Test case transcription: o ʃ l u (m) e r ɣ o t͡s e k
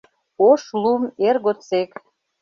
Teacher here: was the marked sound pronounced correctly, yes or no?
yes